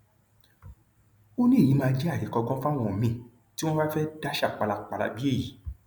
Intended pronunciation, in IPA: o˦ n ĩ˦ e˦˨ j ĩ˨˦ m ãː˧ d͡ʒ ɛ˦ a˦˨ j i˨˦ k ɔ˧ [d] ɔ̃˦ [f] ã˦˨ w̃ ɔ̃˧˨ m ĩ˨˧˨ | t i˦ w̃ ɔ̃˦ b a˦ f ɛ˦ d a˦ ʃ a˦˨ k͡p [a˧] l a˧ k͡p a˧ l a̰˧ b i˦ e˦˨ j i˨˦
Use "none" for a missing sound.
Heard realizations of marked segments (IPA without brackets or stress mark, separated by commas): ɡ, f, a˧